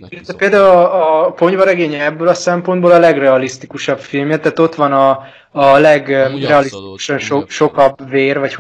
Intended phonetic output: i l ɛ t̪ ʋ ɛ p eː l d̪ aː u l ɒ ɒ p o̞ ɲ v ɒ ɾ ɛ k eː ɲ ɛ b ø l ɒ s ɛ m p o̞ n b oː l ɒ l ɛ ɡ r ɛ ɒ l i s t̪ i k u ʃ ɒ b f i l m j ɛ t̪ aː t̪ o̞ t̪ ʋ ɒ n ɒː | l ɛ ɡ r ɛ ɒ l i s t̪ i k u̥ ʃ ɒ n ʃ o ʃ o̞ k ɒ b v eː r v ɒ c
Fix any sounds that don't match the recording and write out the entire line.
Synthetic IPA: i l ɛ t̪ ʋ ɛ p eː l d̪ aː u l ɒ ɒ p o̞ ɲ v ɒ ɾ ɛ ɡ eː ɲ ɛ bː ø l ɒ s ɛ m p o̞ n b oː l ɒ l ɛ ɡ r ɛ ɒ l i s t̪ i k u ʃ ɒ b f i l m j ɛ t̪ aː t̪ o̞ t̪ ʋ ɒ n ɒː | l ɛ ɡ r ɛ ɒ l i s t̪ i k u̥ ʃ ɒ n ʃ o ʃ o̞ k ɒ b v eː r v ɒ c